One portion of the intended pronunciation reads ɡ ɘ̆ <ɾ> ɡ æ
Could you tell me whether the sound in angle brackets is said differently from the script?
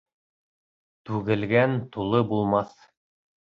yes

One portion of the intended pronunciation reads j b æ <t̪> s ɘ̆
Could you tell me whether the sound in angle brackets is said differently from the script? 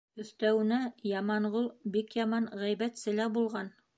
no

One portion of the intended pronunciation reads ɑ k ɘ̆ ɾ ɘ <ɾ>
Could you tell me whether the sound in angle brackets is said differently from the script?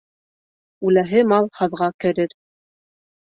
no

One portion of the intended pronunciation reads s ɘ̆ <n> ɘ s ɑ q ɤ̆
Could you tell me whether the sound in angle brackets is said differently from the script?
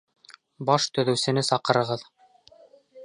no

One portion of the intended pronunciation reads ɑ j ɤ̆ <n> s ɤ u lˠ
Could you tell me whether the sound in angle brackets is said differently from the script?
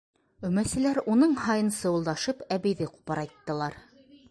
no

